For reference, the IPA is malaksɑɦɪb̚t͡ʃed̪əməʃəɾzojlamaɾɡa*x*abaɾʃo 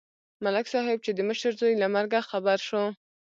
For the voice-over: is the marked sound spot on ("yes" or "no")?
yes